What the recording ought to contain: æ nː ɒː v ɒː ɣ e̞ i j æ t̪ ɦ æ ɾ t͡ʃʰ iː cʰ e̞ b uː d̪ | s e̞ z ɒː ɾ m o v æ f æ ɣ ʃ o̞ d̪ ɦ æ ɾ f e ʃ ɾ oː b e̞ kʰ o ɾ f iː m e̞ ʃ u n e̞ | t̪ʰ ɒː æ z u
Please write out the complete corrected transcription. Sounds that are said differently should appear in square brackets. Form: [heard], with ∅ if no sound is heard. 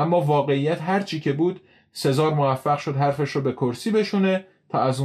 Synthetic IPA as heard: æ [mː] ɒː v ɒː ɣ e̞ i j æ t̪ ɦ æ ɾ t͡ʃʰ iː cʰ e̞ b uː d̪ | s e̞ z ɒː ɾ m o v æ [fː] æ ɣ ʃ o̞ d̪ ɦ æ ɾ f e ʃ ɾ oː b e̞ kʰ o ɾ [s] iː [b] e̞ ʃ u n e̞ | t̪ʰ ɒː æ z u